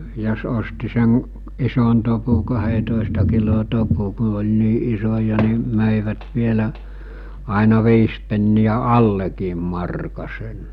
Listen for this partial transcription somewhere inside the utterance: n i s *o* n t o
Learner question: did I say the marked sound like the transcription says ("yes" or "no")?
yes